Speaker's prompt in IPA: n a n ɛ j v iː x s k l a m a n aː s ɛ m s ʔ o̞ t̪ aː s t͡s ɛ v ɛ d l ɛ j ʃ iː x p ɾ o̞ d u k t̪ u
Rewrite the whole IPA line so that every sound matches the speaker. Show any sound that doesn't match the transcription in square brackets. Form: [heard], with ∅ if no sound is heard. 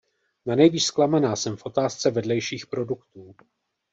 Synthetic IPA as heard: n a n ɛ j v iː [ʃ] s k l a m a n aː s ɛ m [f] ʔ o̞ t̪ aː s t͡s ɛ v ɛ d l ɛ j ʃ iː x p ɾ o̞ d u k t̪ [uː]